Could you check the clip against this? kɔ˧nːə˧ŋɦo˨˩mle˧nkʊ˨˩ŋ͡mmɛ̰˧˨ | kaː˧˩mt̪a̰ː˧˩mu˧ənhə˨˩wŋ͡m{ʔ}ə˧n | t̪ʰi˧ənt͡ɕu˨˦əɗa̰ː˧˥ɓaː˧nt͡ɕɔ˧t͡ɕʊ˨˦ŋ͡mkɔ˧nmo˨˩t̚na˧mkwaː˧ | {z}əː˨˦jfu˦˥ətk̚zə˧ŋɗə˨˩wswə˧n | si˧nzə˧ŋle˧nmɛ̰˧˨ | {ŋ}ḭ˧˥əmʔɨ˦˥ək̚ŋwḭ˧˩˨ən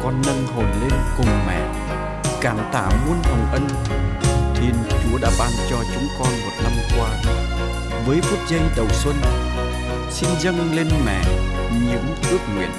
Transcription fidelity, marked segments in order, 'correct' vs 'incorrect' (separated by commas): correct, incorrect, incorrect